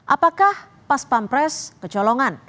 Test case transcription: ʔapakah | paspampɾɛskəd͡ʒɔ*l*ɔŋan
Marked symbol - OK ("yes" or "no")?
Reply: yes